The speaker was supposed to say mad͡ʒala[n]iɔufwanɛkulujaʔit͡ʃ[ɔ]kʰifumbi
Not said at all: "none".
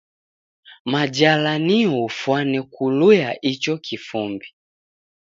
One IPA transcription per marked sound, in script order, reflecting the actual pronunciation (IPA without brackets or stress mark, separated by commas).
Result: n, ɔ